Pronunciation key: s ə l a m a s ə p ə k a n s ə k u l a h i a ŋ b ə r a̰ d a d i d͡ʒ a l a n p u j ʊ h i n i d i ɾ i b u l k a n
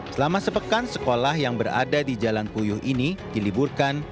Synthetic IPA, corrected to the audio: s ə l a m a s ə p ə k a n s ə k o l a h j a ŋ b ə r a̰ d a d i d͡ʒ a l a n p u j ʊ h i n i d i l i b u r k a n